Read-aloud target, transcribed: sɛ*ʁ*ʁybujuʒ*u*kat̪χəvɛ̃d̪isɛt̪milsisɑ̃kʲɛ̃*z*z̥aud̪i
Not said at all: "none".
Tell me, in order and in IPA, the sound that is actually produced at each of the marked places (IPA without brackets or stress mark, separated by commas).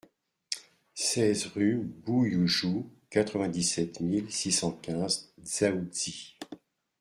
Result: z, u, z